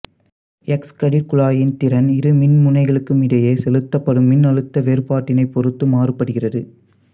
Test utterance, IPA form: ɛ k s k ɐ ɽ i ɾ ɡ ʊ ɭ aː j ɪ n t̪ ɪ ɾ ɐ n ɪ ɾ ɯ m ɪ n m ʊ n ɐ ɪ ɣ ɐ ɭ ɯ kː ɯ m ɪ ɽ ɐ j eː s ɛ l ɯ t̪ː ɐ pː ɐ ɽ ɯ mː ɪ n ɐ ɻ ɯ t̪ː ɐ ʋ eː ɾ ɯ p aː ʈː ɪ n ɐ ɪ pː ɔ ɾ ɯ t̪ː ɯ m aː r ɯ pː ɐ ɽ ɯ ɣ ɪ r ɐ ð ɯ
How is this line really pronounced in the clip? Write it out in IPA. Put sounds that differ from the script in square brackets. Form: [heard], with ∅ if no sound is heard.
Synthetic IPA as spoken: ɛ k s k ɐ ɽ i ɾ [k] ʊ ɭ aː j ɪ n t̪ ɪ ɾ ɐ n ɪ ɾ ɯ m ɪ n m ʊ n ɐ ɪ ɣ ɐ ɭ ɯ kː ɯ m ɪ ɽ ɐ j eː s ɛ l ɯ t̪ː ɐ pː ɐ ɽ ɯ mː ɪ n ɐ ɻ ɯ t̪ː ɐ ʋ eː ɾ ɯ p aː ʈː ɪ n ɐ ɪ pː ɔ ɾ ɯ t̪ː ɯ m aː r ɯ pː ɐ ɽ ɯ ɣ ɪ r ɐ ð ɯ